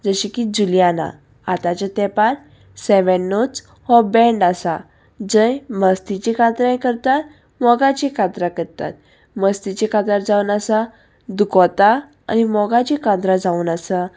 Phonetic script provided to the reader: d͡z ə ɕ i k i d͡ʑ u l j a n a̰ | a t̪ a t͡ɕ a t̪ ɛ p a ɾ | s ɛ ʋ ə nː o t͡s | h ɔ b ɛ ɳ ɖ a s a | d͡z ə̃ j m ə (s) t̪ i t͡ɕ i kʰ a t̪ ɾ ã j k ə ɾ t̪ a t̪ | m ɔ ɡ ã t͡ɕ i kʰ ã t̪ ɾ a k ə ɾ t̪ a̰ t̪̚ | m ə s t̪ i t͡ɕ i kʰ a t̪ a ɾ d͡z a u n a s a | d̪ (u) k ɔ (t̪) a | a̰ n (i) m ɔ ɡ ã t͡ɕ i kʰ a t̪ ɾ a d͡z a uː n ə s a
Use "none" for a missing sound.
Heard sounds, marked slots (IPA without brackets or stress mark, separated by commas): s, u, t̪, i